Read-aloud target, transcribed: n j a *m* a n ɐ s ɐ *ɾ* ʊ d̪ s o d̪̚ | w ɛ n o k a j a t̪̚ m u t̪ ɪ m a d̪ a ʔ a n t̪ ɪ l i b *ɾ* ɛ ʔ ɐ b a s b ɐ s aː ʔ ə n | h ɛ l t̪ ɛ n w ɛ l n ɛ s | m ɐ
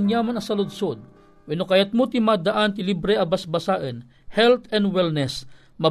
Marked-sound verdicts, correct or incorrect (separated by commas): correct, incorrect, correct